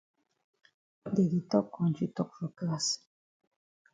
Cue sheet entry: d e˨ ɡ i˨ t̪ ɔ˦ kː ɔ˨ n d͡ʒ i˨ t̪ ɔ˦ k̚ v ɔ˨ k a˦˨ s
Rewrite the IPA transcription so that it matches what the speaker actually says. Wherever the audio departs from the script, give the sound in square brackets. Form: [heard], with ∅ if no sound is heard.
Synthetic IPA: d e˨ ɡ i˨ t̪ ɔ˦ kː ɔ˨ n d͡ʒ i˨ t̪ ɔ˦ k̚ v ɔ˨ k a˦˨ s